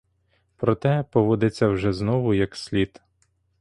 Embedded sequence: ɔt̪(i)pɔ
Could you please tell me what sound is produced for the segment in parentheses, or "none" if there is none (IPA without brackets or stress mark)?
ɛ